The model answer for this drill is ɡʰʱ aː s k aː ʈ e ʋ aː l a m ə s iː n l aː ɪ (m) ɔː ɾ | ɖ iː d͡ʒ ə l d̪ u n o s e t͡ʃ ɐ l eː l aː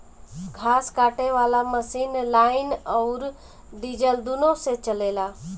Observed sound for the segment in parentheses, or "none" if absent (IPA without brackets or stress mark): n